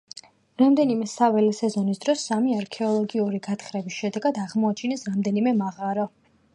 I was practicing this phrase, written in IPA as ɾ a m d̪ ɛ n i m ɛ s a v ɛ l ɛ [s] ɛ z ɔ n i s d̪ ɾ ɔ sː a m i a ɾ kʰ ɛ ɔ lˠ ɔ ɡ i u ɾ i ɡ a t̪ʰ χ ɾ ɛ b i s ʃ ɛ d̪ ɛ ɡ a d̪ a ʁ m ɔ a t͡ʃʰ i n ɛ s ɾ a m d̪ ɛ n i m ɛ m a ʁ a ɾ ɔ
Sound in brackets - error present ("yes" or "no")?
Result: no